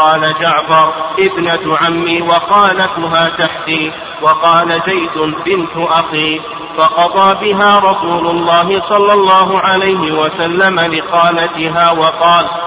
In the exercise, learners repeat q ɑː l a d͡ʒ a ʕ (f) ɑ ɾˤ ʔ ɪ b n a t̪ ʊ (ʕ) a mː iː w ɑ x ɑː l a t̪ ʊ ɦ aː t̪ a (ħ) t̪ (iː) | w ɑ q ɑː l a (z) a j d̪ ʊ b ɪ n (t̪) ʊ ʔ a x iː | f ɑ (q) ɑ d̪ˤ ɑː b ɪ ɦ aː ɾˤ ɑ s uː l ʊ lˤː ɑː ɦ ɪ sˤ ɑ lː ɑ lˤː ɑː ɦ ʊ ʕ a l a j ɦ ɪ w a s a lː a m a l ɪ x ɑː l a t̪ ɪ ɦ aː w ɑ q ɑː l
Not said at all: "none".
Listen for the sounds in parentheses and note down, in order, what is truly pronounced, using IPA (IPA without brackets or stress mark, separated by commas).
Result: f, ʕ, ħ, iː, z, t̪, q